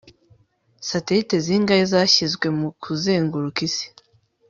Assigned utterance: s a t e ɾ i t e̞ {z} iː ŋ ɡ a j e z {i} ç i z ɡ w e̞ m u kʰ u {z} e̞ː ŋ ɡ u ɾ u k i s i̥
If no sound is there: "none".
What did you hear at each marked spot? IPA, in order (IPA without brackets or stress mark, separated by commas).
z, a, z